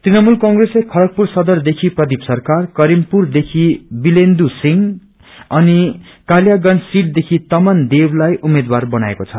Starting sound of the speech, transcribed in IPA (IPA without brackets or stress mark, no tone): t̪